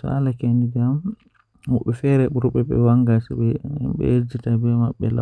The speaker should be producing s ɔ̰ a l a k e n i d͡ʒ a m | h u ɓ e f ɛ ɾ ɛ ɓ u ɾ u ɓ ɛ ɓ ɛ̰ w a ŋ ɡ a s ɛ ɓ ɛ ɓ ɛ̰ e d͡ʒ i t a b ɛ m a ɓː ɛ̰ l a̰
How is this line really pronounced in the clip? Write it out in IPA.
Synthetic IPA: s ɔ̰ a l a k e n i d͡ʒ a m | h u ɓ ɛ f ɛ ɾ ɛ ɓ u ɾ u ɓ ɛ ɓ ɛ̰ w a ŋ ɡ a s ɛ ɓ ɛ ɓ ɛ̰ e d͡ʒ i t a b ɛ m a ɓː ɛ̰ l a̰